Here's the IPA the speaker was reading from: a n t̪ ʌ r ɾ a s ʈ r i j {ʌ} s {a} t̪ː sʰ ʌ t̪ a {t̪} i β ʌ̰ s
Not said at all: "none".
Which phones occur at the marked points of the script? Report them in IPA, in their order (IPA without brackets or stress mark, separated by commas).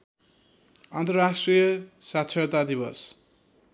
ʌ, a, d̪